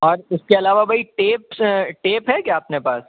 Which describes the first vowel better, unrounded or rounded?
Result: rounded